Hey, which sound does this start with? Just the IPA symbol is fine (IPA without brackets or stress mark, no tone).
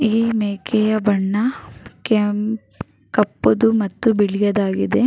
iː